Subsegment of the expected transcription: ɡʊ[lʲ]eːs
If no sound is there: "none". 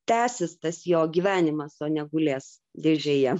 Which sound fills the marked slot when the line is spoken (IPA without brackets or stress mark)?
lʲ